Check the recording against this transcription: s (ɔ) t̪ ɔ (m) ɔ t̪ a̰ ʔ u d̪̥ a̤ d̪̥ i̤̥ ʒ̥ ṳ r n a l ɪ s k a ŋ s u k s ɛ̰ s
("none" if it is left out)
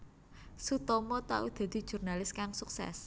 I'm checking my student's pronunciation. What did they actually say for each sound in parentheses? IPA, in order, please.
u, m

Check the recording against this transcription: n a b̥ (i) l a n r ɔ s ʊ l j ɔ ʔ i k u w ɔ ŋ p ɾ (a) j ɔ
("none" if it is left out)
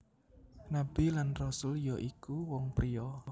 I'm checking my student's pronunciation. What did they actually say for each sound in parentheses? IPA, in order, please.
i, i

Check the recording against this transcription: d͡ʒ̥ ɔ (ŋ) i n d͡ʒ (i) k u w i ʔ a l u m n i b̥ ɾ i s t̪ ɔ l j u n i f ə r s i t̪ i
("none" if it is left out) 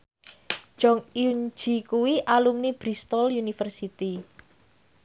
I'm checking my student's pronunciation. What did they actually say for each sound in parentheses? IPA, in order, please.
ŋ, i

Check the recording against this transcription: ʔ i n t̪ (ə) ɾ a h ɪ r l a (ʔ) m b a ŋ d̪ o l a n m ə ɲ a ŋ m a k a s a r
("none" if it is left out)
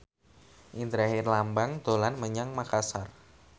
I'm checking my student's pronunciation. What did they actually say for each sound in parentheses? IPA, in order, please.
ə, none

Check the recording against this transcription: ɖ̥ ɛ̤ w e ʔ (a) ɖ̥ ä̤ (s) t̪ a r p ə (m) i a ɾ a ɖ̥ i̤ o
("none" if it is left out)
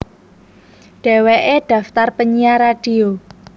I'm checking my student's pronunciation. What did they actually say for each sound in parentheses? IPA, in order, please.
e, f, ɲ

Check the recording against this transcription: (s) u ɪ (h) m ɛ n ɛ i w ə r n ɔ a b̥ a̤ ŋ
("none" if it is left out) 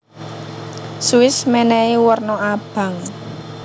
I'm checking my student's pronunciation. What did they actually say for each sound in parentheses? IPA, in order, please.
s, s

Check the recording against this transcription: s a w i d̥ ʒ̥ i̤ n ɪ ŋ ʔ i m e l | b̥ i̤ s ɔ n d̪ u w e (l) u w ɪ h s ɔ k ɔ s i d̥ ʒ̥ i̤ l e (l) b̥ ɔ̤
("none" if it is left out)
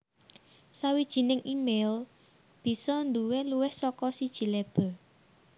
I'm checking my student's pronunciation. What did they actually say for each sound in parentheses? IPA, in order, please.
l, none

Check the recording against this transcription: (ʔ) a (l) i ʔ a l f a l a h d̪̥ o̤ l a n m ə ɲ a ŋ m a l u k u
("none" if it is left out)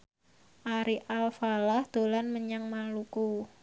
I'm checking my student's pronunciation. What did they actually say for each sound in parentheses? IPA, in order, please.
ʔ, ɾ

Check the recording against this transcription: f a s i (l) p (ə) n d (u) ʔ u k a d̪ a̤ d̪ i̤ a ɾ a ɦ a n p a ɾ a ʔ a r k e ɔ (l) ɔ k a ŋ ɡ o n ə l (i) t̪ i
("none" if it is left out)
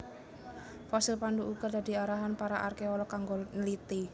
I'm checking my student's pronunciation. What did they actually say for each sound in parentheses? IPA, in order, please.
l, a, u, l, i

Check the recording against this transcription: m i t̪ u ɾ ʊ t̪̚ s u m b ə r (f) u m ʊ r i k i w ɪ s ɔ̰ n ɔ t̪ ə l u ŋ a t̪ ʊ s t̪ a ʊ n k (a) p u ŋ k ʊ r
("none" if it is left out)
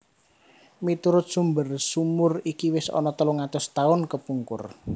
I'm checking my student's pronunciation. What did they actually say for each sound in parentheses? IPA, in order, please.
s, ə

